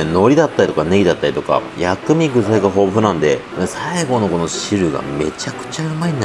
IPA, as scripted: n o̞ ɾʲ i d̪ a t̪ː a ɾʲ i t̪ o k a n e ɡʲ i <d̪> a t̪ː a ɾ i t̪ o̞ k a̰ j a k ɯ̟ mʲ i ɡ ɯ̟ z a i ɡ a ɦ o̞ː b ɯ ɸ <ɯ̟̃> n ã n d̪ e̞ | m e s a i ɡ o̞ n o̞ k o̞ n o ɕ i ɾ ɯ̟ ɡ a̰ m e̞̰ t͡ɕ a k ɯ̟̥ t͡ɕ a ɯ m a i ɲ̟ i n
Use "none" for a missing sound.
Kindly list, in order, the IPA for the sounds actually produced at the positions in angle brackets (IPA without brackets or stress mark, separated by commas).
d̪, ɯ̟